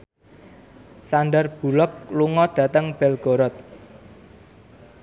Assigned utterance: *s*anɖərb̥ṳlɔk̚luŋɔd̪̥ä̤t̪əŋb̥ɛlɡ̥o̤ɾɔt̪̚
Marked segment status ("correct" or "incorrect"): correct